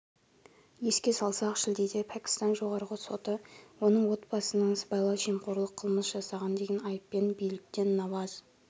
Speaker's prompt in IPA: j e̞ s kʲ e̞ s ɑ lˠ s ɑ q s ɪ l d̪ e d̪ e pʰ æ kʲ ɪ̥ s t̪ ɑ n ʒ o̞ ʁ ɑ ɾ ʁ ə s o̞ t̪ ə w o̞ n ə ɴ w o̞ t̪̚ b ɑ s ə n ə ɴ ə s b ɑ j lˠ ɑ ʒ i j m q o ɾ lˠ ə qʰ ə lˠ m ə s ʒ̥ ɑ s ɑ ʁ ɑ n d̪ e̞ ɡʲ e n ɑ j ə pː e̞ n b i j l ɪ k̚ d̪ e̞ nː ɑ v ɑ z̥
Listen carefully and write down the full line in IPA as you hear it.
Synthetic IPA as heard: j e̞ s kʲ e̞ s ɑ lˠ s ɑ q ʃ ɪ l d̪ e d̪ e pʰ æ kʲ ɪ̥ s t̪ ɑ n ʒ o̞ ʁ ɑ ɾ ʁ ə s o̞ t̪ ə w o̞ n ə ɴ w o̞ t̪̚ b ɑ s ə n ə ɴ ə s b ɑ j lˠ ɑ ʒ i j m q o ɾ lˠ ə qʰ ə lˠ m ə s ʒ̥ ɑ s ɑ ʁ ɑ n d̪ e̞ ɡʲ e n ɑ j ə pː e̞ n b i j l ɪ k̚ t̪ e̞ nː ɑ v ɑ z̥